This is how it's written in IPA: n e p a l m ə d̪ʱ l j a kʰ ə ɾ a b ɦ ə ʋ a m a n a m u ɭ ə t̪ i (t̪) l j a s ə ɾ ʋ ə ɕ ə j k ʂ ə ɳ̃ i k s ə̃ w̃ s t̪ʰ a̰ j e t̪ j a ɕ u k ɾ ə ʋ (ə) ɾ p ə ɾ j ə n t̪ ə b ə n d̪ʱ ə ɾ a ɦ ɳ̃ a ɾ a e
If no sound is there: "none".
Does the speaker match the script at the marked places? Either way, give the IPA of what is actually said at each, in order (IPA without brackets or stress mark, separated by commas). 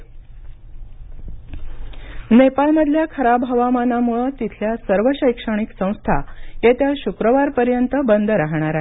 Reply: t̪ʰ, a